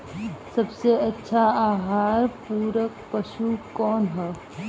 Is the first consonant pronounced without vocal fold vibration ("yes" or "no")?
yes